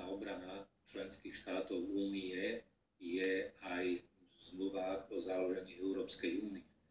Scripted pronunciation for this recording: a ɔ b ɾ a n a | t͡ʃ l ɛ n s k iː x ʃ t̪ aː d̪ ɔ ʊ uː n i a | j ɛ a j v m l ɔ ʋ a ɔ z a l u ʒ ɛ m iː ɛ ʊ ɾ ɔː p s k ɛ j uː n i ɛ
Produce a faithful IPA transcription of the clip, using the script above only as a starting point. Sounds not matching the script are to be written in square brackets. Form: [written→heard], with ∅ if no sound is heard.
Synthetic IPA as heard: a ɔ b ɾ a n a | t͡ʃ l ɛ n s k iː x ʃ t̪ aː [d̪→t̪] ɔ ʊ uː n i [a→ɛ] | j ɛ a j [v→z] m l [ɔ→u] ʋ a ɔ z a l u ʒ ɛ [m→ɲ] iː ɛ ʊ ɾ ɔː p s k ɛ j uː n i ɛ